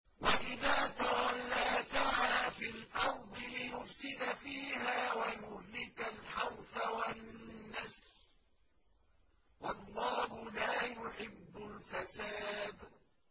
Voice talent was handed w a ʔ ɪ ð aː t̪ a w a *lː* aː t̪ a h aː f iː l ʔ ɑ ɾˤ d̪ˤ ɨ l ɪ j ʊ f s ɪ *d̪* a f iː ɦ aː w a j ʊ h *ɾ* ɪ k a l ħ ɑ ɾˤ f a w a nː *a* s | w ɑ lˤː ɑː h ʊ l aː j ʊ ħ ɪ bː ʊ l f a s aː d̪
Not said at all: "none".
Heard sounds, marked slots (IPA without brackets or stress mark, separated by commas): lː, d̪, l, a